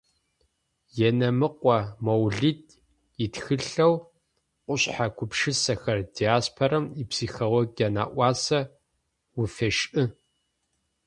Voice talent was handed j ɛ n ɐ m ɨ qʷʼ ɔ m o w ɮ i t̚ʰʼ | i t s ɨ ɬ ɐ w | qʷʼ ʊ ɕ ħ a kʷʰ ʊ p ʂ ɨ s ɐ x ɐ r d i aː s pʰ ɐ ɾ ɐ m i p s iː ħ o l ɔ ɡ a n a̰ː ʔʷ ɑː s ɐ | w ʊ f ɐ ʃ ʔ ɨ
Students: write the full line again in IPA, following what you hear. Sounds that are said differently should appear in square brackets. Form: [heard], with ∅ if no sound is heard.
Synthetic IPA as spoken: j ɛ n ɐ m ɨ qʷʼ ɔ m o w ɮ i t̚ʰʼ | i t [x] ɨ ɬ ɐ w | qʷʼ ʊ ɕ ħ a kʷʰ ʊ p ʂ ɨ s ɐ x ɐ r d i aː s pʰ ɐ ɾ ɐ m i p s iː [x] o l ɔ ɡ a n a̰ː ʔʷ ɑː s ɐ | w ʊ f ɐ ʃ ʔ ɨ